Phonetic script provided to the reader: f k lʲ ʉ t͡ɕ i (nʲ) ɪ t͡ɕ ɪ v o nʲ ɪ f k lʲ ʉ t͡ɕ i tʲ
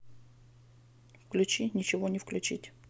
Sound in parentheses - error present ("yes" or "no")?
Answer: no